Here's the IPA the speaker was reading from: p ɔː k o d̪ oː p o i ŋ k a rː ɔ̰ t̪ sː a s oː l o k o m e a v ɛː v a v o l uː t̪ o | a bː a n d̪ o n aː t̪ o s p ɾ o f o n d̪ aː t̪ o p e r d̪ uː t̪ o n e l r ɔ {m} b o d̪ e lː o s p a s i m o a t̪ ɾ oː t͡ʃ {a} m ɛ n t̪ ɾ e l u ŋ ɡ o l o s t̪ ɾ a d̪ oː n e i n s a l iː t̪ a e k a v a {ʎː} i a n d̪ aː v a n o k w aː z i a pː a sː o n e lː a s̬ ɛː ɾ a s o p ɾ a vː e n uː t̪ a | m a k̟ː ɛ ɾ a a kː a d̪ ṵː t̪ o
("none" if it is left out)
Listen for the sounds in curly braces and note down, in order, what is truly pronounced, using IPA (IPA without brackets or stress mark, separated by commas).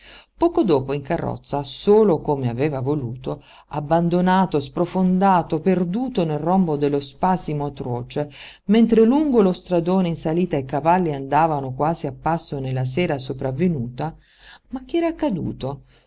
m, e, lː